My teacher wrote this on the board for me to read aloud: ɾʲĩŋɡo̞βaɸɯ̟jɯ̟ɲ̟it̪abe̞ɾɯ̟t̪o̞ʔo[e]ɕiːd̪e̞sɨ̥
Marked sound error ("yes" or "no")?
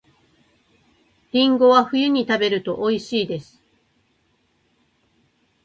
yes